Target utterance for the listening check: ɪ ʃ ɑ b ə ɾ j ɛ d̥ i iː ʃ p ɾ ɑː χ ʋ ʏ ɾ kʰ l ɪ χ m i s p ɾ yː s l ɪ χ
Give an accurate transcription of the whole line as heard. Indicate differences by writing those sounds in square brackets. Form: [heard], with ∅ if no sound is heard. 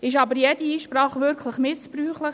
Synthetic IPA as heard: ɪ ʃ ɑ b ə ɾ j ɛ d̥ i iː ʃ p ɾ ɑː χ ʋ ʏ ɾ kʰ l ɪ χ m [ɪ] s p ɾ yː [χ] l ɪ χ